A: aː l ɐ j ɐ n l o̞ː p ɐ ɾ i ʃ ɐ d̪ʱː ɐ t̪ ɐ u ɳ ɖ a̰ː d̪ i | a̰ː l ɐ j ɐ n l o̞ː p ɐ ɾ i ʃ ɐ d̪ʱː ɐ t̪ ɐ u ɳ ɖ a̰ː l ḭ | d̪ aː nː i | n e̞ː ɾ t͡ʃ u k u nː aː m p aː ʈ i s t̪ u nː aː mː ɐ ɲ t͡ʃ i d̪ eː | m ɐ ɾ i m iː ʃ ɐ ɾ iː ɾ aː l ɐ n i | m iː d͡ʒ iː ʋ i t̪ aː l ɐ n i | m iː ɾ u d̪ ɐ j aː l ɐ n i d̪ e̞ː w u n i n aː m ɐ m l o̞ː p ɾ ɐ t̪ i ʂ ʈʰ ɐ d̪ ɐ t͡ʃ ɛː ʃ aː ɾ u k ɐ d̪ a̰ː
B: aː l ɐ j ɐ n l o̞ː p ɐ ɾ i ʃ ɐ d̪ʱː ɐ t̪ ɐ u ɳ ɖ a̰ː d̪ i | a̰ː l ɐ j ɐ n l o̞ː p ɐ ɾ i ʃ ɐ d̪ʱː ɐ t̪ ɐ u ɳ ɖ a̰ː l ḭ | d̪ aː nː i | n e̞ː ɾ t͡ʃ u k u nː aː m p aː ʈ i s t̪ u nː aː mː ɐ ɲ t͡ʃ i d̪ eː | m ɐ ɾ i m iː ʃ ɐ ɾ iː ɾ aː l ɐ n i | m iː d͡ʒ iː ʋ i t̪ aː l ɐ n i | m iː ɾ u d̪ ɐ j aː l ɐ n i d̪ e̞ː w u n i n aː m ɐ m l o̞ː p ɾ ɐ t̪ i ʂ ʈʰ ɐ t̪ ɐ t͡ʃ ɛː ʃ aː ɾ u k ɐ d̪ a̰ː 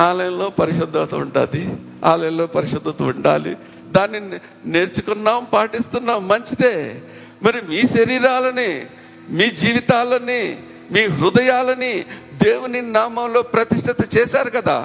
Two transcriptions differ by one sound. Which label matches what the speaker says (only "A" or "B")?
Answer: B